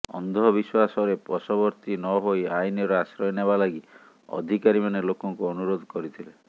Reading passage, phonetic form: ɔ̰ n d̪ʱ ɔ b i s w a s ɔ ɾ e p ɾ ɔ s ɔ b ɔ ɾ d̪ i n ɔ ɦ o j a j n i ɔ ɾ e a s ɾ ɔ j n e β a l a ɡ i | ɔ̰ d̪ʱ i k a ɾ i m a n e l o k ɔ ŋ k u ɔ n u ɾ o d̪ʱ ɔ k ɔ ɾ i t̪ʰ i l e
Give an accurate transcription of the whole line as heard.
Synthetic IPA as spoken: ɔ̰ n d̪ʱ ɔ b i s w a s ɔ ɾ e p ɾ ɔ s ɔ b ɔ ɾ t̪ i n ɔ ɦ o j a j n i ɔ ɾ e a s ɾ ɔ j n e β a l a ɡ i | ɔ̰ d̪ʱ i k a ɾ i m a n e l o k ɔ ŋ k u ɔ n u ɾ o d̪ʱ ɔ k ɔ ɾ i t̪ʰ i l e